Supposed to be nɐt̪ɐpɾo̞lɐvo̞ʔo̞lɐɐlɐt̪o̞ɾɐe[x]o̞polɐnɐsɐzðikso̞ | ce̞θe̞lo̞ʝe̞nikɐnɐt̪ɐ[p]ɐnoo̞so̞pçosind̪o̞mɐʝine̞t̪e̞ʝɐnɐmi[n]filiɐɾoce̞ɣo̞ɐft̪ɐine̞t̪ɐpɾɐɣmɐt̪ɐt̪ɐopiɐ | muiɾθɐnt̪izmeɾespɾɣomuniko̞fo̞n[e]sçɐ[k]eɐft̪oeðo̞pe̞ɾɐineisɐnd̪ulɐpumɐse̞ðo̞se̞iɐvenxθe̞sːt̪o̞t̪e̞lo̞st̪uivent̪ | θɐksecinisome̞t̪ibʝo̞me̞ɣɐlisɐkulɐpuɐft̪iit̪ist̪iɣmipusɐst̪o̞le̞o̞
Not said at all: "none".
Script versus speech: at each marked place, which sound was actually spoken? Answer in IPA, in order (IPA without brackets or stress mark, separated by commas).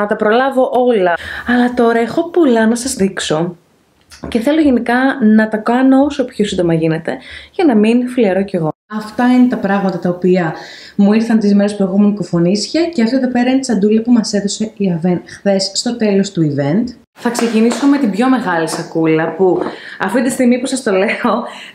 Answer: x, k, n, i, c